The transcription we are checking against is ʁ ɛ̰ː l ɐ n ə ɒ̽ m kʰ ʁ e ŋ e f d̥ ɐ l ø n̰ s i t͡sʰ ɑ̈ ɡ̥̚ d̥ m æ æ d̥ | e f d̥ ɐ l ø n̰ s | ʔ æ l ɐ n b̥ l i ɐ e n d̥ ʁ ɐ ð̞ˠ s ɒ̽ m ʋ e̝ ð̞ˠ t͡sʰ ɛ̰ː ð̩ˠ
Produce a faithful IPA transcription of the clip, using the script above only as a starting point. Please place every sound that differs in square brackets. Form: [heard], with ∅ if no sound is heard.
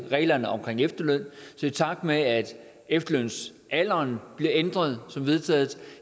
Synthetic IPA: ʁ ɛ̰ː l ɐ n ə ɒ̽ m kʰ ʁ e ŋ e f d̥ ɐ l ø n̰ s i t͡sʰ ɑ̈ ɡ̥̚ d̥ m [e] æ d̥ | e f d̥ ɐ l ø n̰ s | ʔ æ l ɐ n b̥ l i ɐ e n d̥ ʁ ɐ ð̞ˠ s ɒ̽ m ʋ e̝ ð̞ˠ t͡sʰ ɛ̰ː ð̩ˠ